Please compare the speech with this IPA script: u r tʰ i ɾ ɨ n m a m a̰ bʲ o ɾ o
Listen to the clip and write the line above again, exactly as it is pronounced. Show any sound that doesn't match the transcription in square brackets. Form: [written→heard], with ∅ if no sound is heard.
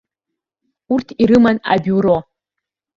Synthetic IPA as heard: u r tʰ i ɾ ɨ [n→∅] m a [m→n] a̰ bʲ [o→u] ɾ o